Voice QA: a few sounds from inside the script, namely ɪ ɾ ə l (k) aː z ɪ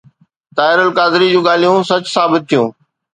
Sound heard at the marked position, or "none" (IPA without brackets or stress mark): k